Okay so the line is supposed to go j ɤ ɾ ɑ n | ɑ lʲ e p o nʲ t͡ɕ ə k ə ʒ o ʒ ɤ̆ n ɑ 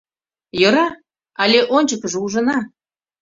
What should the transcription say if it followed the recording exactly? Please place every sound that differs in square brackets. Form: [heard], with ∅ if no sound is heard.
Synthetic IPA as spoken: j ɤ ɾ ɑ [∅] | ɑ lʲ e [ʔ] o nʲ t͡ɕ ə k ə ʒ [u] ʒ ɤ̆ n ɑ